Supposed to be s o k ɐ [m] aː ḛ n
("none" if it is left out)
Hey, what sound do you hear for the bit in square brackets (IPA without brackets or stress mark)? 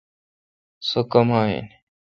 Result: m